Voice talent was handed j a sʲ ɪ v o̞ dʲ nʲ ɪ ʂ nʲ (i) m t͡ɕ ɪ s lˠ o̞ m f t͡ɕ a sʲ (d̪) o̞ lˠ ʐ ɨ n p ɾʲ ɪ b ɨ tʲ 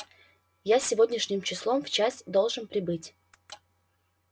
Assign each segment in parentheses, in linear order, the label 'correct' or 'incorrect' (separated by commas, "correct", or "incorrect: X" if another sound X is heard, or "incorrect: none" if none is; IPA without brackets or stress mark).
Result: incorrect: ɪ, correct